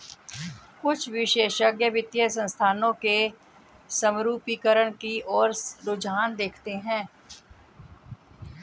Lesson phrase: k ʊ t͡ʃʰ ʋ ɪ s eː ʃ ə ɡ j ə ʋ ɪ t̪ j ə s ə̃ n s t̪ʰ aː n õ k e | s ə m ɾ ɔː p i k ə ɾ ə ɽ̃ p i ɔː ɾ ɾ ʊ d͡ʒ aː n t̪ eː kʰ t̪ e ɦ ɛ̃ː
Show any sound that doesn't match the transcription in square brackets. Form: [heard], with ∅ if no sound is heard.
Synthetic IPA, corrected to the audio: k ʊ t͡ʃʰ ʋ ɪ [ʃ] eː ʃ ə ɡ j ə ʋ ɪ t̪ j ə s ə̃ n s t̪ʰ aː n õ k e | s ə m ɾ [uː] p i k ə ɾ ə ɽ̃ [k] i ɔː ɾ ɾ ʊ d͡ʒ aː n [d̪] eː kʰ t̪ e ɦ ɛ̃ː